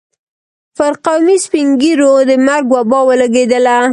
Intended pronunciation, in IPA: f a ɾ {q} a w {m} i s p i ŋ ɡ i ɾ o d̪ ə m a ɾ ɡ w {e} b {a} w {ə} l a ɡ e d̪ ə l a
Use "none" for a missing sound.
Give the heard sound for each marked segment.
q, m, a, ɑ, ə

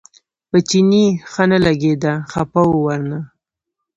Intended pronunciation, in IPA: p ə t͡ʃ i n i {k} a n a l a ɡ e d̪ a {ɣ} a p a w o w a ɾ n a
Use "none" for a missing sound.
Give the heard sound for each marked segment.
x, x

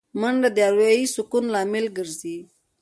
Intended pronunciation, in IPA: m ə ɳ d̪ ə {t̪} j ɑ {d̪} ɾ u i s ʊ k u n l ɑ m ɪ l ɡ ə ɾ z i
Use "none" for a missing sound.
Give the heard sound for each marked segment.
d̪, none

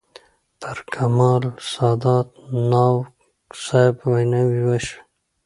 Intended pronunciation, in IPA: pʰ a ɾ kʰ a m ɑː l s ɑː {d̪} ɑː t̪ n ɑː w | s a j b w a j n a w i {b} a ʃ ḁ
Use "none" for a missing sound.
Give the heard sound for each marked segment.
d̪, w

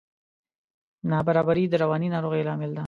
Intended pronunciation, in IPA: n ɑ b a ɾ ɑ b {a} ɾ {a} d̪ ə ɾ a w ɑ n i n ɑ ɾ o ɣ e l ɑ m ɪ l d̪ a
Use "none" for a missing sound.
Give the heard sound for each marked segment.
a, i

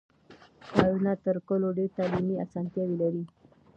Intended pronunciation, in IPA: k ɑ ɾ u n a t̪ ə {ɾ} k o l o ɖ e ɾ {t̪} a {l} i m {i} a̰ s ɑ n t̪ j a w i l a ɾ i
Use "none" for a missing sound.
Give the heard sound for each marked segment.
ɾ, t̪, l, i

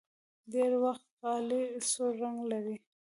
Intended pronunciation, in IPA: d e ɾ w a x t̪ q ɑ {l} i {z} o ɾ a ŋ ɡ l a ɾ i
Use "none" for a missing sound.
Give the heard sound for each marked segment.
l, s

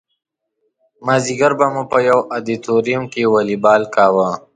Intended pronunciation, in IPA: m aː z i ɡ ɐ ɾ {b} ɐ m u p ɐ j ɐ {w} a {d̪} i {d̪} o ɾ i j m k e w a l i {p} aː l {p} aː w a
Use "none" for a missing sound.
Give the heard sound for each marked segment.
b, w, d̪, t̪, b, k

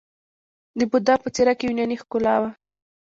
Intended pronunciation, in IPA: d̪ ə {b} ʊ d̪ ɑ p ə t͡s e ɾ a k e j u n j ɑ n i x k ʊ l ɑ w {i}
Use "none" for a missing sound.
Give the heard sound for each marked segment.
b, a

